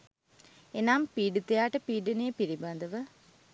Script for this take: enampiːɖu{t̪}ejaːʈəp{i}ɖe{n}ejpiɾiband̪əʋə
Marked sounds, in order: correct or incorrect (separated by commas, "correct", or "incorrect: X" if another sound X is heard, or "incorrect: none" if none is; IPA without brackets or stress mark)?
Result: correct, incorrect: iː, correct